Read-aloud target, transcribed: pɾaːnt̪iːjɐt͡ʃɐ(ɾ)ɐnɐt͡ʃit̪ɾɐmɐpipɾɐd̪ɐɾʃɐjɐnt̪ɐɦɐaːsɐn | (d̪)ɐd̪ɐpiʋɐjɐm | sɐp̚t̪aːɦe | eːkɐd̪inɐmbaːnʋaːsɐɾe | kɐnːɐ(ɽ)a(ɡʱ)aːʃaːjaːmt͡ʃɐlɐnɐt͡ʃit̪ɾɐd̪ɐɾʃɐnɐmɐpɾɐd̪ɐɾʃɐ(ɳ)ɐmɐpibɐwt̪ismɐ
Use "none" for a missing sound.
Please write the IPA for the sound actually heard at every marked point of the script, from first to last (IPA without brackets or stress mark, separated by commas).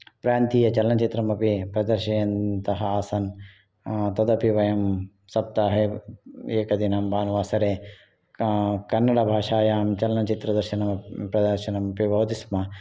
l, t̪, ɽ, bʱ, n